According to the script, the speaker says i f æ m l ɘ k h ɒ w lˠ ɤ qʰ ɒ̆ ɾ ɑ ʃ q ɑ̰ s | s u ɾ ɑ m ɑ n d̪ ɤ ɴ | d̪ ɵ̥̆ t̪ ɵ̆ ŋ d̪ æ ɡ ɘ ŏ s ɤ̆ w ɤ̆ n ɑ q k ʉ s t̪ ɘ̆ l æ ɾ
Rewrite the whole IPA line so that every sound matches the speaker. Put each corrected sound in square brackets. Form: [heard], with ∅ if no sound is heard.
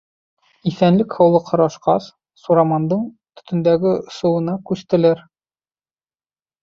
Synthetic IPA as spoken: i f æ [n] l ɘ k h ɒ w lˠ ɤ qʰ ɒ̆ ɾ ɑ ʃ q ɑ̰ s | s u ɾ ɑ m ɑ n d̪ ɤ ɴ | [t̪] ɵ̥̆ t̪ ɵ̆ [n] d̪ æ ɡ ɘ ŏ s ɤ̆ w ɤ̆ n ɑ [∅] k ʉ s t̪ ɘ̆ l æ ɾ

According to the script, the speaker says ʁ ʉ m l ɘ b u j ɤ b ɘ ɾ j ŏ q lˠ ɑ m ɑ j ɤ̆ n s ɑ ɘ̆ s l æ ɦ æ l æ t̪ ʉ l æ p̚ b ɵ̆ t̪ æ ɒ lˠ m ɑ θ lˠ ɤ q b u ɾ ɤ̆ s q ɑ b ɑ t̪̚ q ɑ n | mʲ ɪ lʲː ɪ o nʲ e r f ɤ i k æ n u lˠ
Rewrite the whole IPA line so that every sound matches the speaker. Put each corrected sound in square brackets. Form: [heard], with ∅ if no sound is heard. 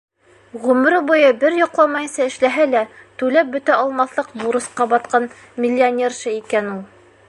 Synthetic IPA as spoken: ʁ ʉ m [ɾ] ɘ b u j ɤ b ɘ ɾ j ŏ q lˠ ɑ m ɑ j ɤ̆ n s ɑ ɘ̆ [ʃ] l æ ɦ æ l æ t̪ ʉ l æ p̚ b ɵ̆ t̪ æ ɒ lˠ m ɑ θ lˠ ɤ q b u ɾ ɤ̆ s q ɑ b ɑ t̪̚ q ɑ n | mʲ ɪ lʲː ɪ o nʲ e r [ʃ] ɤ i k æ n u lˠ

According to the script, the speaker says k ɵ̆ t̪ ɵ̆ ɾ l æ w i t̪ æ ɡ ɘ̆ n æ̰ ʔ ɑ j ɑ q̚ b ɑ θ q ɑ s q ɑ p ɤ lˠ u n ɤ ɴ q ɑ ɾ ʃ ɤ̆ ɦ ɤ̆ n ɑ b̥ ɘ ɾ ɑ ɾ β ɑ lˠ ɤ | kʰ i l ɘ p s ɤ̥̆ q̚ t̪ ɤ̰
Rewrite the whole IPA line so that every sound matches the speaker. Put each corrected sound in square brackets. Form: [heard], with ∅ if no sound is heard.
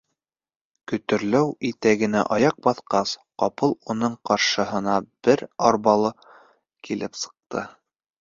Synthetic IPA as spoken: k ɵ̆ t̪ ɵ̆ ɾ l æ w i t̪ æ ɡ ɘ̆ n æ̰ ʔ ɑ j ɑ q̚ b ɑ θ q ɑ s q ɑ p ɤ lˠ u n ɤ ɴ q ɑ ɾ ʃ ɤ̆ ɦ ɤ̆ n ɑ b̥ ɘ ɾ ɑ ɾ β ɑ lˠ ɤ | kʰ i l ɘ p s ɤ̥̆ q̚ t̪ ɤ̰

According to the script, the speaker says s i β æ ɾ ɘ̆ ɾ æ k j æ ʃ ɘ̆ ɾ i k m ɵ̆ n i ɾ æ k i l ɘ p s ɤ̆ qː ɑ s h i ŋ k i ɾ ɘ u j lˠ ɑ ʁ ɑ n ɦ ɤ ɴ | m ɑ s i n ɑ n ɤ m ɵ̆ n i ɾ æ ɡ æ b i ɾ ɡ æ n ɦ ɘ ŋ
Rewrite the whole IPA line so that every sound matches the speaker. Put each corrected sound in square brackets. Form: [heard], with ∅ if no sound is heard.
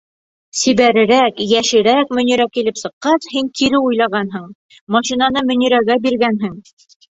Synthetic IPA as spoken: s i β æ ɾ ɘ̆ ɾ æ k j æ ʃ ɘ̆ ɾ [æ] k m ɵ̆ n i ɾ æ k i l ɘ p s ɤ̆ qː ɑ s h i ŋ k i ɾ ɘ u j lˠ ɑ ʁ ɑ n ɦ ɤ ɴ | m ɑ [ʃ] i n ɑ n ɤ m ɵ̆ n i ɾ æ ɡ æ b i ɾ ɡ æ n ɦ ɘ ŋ

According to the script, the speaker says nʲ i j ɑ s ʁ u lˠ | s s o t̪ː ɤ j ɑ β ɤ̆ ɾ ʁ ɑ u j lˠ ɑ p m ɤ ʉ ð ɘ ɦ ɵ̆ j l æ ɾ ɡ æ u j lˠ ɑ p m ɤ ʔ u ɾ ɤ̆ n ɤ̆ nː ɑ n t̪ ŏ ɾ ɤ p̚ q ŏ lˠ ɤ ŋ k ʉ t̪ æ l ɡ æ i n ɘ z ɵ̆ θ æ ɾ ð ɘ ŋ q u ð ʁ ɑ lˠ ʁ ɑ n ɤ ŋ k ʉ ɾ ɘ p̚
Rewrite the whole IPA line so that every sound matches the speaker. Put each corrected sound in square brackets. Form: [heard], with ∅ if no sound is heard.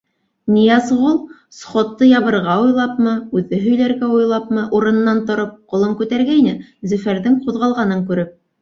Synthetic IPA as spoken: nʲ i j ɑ s ʁ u lˠ | s [χ] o t̪ː ɤ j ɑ β ɤ̆ ɾ ʁ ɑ u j lˠ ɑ p m ɤ ʉ ð ɘ ɦ ɵ̆ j l æ ɾ ɡ æ u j lˠ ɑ p m ɤ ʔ u ɾ ɤ̆ n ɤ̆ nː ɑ n t̪ ŏ ɾ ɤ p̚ q ŏ lˠ ɤ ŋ k ʉ t̪ æ [ɾ] ɡ æ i n ɘ z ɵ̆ [f] æ ɾ ð ɘ ŋ q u ð ʁ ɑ lˠ ʁ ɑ n ɤ ŋ k ʉ ɾ ɘ p̚

